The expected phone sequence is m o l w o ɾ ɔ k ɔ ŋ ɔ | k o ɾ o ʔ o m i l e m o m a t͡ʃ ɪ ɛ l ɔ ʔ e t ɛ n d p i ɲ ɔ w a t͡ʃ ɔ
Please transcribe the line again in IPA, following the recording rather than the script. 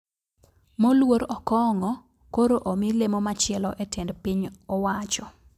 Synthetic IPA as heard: m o l w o ɾ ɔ k ɔ ŋ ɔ | k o ɾ o ʔ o m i l e m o m a t͡ʃ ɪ ɛ l ɔ ʔ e t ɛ n d p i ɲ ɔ w a t͡ʃ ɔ

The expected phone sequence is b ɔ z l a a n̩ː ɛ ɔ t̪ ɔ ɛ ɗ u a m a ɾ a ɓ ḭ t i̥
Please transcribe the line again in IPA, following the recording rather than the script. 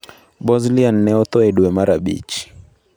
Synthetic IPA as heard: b ɔ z l i a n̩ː ɛ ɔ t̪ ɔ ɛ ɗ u ɛ m a ɾ a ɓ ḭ t͡ʃ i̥

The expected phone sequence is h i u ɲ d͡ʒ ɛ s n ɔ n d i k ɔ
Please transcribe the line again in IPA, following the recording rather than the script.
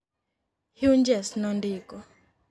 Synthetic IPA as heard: h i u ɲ d͡ʒ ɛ s n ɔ n d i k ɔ

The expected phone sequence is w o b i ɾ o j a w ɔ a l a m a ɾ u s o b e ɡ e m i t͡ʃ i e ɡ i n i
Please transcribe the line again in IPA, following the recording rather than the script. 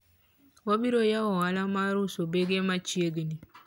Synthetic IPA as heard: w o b i ɾ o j a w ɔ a l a m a ɾ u s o b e ɡ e m a t͡ʃ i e ɡ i n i

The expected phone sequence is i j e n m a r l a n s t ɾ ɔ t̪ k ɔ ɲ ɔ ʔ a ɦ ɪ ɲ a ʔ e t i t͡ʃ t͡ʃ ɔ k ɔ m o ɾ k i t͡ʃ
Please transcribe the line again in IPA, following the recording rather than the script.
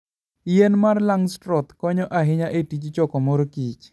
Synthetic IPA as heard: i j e n m a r l a ŋ s t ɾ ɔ t̪ k ɔ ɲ ɔ ʔ a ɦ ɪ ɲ a ʔ e t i t͡ʃ t͡ʃ ɔ k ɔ m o ɾ k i t͡ʃ

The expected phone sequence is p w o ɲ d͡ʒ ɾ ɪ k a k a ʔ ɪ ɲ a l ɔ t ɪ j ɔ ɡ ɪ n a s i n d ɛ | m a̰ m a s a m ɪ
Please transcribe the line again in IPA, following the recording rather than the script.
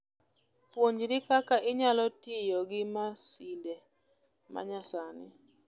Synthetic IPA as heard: p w o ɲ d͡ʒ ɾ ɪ k a k a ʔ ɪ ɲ a l ɔ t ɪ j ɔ ɡ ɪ m a s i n d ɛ | m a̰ ɲ a s a n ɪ

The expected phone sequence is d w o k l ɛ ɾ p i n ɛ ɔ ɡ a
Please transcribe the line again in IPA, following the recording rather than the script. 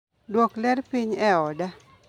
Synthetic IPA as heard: d w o k l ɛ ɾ p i ɲ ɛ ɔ d a

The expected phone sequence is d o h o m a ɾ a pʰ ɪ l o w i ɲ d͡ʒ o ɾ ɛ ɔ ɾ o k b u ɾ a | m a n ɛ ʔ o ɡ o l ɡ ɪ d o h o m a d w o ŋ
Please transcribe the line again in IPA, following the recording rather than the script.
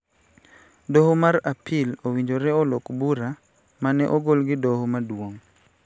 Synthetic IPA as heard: d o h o m a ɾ a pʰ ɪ l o w i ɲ d͡ʒ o ɾ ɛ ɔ l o k b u ɾ a | m a n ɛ ʔ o ɡ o l ɡ ɪ d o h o m a d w o ŋ

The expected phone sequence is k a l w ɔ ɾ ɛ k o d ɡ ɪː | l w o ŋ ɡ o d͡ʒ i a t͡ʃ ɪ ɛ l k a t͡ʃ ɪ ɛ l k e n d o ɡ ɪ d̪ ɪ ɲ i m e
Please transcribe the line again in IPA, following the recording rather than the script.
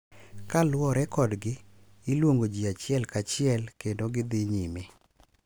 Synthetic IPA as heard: k a l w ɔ ɾ ɛ k ɔ d ɡ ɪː | l w o ŋ ɡ o d͡ʒ i a t͡ʃ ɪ ɛ l k a t͡ʃ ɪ ɛ l k e n d o ɡ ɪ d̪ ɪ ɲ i m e

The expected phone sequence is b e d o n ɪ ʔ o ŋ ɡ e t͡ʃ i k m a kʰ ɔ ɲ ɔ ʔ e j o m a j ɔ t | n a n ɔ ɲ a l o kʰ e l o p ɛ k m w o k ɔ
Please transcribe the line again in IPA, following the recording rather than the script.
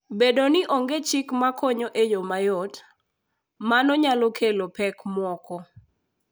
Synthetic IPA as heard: b e d o n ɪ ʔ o ŋ ɡ e t͡ʃ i k m a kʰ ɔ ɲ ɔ ʔ e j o m a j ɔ t | m a n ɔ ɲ a l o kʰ e l o p ɛ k m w ɔ k ɔ

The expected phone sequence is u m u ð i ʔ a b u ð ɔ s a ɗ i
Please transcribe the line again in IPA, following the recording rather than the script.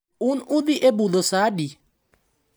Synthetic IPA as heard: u n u ð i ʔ e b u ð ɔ s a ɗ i

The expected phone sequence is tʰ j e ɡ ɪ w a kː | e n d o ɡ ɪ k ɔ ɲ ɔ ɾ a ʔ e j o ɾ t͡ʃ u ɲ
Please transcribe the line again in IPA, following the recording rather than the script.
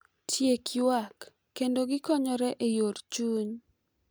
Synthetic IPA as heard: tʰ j e k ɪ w a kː | e n d o ɡ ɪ k ɔ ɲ ɔ ɾ ɛ ʔ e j o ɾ t͡ʃ u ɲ

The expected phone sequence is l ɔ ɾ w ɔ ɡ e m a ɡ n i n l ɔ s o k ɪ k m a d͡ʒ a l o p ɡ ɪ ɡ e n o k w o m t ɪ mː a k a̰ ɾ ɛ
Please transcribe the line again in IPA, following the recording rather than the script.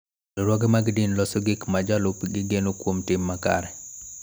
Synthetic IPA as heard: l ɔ ɾ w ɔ ɡ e m a ɡ d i n l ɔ s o ɡ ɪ k m a d͡ʒ a l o p ɡ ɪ ɡ e n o k w o m t ɪ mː a k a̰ ɾ ɛ

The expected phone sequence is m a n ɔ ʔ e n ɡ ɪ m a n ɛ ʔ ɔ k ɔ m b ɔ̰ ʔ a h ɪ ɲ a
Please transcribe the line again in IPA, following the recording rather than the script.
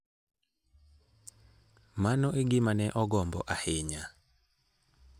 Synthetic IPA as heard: m a n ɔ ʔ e ɡ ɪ m a n ɛ ʔ ɔ ɡ ɔ m b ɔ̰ ʔ a h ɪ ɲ a

